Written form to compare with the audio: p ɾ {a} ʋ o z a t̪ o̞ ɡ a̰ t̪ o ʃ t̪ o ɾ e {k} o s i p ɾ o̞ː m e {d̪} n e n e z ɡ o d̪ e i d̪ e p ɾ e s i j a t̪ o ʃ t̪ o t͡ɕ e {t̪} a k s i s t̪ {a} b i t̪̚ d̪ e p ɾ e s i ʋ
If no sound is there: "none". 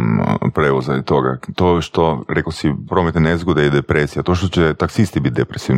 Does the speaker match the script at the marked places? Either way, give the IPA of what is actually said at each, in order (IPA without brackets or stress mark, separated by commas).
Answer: e, k, t̪, t̪, i